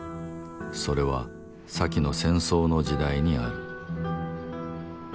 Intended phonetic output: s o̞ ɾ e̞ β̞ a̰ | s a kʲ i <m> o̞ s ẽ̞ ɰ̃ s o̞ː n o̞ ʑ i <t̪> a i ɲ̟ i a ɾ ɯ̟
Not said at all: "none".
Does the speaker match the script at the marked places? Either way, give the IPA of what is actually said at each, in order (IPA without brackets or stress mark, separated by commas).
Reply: n, d̪